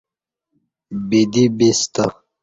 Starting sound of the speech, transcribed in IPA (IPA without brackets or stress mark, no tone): b